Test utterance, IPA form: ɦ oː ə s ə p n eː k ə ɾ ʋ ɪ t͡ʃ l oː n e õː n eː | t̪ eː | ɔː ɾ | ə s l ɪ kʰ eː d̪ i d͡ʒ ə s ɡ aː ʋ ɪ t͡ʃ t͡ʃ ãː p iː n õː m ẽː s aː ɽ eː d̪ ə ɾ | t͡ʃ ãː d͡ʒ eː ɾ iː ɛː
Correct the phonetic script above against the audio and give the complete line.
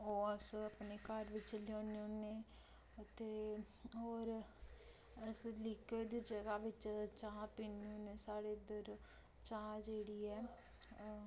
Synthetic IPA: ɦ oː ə s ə p n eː k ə ɾ ʋ ɪ t͡ʃ l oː n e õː n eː | t̪ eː | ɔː ɾ | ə s l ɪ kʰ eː d̪ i d͡ʒ ə ɡ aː ʋ ɪ t͡ʃ t͡ʃ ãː p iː n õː n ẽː s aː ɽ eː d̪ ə ɾ | t͡ʃ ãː d͡ʒ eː ɽ iː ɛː